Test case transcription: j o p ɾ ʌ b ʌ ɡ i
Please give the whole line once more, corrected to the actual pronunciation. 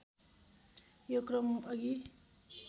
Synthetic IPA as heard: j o k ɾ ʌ m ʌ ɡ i